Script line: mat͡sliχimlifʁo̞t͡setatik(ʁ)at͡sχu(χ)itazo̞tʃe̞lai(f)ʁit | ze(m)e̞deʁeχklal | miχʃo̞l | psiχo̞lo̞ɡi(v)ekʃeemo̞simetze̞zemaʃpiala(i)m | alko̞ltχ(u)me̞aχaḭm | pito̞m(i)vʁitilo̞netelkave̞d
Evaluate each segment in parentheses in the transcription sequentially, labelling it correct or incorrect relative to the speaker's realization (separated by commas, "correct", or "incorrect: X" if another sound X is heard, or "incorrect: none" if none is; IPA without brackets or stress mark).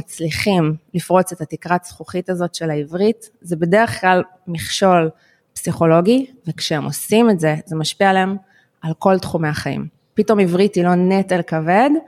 correct, correct, incorrect: v, incorrect: b, correct, incorrect: e, correct, correct